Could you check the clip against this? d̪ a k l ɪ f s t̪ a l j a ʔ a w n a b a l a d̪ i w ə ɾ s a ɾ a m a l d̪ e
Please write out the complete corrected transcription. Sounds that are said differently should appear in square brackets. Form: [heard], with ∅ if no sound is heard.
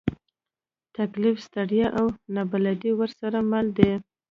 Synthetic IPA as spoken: [t̪] a k l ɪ f s t̪ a [ɽ] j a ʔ a w n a b a l a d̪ i w ə ɾ s a ɾ a m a l d̪ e